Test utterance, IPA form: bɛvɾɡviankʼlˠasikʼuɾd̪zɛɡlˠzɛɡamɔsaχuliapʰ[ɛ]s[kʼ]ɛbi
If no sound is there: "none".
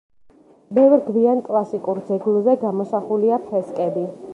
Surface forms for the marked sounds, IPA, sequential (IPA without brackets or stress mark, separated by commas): ɛ, kʼ